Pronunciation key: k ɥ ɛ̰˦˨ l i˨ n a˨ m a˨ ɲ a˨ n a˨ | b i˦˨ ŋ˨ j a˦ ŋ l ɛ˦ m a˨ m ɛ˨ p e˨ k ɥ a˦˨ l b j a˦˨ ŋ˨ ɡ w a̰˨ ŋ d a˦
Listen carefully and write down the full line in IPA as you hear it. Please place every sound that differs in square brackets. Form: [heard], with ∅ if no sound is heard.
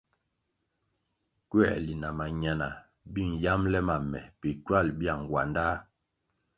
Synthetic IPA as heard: k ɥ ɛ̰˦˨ l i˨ n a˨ m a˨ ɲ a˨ n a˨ | b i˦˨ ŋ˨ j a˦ [m] l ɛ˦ m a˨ m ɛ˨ p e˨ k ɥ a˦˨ l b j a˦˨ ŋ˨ ɡ w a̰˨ [n] d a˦